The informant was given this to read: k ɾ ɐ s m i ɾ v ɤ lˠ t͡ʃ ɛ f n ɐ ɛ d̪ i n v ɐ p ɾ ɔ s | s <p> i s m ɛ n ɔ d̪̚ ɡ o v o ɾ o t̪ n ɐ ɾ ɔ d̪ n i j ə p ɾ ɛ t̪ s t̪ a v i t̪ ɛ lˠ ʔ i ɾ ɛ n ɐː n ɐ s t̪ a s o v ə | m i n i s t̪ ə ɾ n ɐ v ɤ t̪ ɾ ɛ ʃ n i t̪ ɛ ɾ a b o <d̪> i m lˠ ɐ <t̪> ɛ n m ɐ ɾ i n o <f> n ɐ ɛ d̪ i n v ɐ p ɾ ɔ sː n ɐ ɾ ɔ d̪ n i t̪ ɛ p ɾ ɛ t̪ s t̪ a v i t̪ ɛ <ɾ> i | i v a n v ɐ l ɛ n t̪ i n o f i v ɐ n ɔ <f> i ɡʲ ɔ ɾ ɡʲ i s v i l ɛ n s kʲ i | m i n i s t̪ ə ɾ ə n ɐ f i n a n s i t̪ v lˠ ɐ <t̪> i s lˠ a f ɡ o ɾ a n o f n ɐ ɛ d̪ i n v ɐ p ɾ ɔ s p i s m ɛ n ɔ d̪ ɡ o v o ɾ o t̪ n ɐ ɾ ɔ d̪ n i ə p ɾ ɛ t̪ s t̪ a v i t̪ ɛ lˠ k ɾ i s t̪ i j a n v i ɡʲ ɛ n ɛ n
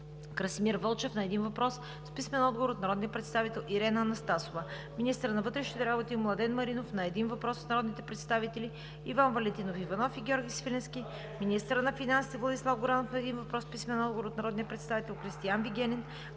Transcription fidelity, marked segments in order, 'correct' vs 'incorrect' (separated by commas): correct, incorrect, incorrect, correct, incorrect, correct, incorrect